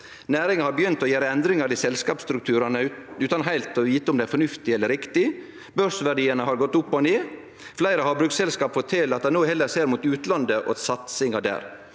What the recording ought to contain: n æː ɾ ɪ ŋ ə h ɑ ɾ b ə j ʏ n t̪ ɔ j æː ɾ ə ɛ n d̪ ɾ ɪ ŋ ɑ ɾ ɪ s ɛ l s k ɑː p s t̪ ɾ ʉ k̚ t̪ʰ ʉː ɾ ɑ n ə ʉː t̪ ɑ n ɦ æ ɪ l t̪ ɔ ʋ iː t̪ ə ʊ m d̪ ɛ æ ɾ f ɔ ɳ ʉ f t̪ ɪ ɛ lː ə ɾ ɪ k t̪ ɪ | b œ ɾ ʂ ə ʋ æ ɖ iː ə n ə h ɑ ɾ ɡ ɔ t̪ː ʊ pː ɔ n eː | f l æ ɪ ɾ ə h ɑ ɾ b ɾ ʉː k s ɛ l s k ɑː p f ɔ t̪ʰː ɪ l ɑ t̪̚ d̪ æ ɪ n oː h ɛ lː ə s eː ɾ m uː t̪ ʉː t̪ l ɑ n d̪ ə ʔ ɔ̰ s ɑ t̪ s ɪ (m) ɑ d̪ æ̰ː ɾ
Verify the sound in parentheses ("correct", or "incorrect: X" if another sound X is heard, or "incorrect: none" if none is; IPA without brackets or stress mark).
incorrect: ŋ